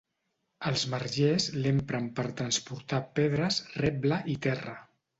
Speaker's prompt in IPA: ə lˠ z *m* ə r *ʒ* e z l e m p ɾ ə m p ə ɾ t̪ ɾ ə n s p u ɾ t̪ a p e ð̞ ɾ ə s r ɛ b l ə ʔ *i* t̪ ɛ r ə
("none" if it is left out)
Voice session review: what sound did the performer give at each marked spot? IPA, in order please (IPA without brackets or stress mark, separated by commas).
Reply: m, ʒ, i